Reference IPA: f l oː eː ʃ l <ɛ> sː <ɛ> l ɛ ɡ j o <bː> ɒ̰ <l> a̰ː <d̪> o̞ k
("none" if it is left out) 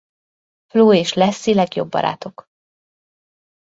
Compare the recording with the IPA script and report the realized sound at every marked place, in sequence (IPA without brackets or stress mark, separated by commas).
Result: ɛ, i, bː, ɾ, t̪